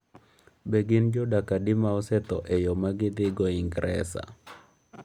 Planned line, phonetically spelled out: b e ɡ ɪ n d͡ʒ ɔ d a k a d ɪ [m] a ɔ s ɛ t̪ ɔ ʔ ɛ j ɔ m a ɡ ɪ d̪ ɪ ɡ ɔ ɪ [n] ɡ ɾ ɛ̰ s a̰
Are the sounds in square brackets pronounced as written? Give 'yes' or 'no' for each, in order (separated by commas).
yes, no